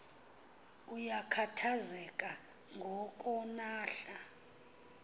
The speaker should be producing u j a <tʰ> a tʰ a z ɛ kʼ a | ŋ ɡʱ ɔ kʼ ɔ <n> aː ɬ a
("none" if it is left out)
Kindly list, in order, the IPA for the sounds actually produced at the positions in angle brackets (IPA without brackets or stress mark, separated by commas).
kʰ, n